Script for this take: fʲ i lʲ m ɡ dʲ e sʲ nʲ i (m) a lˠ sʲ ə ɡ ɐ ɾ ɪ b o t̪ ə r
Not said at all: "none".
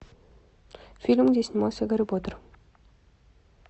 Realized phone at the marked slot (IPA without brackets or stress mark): m